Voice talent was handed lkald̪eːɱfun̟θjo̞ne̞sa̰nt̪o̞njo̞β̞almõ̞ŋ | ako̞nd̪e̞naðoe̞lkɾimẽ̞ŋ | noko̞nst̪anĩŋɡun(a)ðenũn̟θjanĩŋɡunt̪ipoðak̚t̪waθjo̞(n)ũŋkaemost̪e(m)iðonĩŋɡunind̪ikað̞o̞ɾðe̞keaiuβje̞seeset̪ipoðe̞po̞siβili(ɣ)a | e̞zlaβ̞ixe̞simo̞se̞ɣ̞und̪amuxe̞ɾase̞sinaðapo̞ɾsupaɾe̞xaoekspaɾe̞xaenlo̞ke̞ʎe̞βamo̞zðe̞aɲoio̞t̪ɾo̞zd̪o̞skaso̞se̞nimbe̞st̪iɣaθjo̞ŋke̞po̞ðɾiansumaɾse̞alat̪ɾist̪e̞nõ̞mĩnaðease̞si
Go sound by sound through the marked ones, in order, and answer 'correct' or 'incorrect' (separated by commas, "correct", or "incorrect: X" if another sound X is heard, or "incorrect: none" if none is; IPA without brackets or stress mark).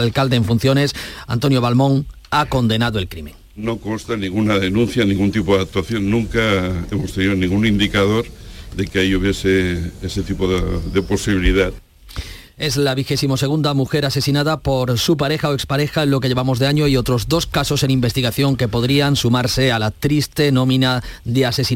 correct, incorrect: nː, incorrect: n, incorrect: ð